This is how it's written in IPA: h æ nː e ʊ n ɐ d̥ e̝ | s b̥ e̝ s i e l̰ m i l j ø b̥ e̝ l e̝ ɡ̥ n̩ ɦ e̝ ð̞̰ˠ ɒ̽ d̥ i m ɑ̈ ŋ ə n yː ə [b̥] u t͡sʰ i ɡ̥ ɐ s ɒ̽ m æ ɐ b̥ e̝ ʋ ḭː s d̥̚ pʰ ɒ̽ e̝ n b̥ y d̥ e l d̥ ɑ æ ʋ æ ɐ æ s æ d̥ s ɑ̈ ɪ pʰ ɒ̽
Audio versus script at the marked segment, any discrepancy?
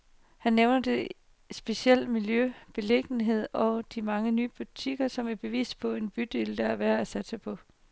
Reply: no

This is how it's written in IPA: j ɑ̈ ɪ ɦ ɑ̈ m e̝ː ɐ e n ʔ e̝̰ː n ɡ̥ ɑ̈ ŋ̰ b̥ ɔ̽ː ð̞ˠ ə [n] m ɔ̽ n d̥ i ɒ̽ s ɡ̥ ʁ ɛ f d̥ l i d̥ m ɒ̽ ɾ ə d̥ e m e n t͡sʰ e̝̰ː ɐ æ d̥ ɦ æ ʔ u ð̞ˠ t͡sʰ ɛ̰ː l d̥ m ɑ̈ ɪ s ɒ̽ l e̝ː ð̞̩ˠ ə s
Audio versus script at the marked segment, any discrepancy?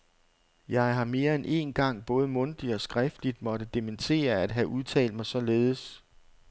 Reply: yes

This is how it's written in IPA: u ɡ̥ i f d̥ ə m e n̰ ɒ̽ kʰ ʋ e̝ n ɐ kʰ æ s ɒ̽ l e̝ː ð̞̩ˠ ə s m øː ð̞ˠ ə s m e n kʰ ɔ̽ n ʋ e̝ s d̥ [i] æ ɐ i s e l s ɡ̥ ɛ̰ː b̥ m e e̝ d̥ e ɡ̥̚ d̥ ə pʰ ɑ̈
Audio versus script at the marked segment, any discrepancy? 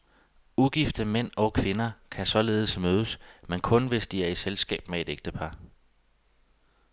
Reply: no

